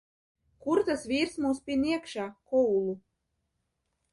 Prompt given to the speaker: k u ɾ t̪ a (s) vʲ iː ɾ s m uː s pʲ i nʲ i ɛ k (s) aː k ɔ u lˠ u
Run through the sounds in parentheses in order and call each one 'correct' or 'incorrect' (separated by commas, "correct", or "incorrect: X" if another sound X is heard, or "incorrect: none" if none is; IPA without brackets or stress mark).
correct, incorrect: ʃ